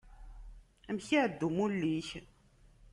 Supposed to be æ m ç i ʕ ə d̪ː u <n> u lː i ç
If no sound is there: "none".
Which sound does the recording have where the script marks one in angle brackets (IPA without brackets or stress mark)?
m